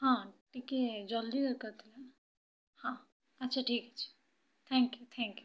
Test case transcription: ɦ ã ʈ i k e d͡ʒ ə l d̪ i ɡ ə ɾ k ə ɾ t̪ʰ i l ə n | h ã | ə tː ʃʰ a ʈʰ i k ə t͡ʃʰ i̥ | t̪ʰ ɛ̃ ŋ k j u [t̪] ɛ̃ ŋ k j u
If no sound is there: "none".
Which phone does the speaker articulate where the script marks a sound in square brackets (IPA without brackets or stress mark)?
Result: t̪ʰ